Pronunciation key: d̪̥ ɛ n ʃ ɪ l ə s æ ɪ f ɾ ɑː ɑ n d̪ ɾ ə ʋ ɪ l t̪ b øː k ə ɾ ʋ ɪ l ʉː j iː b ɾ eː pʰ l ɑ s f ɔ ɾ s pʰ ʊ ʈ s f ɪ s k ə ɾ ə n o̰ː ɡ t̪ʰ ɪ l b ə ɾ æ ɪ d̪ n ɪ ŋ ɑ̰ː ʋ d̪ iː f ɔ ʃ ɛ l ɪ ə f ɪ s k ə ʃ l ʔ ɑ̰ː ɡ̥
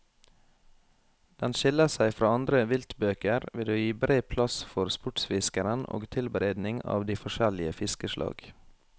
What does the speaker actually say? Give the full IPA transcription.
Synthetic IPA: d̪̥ ɛ n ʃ ɪ l ə s æ ɪ f ɾ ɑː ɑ n d̪ ɾ ə ʋ ɪ l t̪ b øː k ə ɾ ʋ ɪ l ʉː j iː b ɾ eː pʰ l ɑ s f ɔ ɾ s p ʊ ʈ s f ɪ s k ə ɾ ə n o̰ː ɡ t̪ʰ ɪ l b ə ɾ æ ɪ d̪ n ɪ ŋ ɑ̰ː ʋ d̪ iː f ɔ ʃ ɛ l ɪ ə f ɪ s k ə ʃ l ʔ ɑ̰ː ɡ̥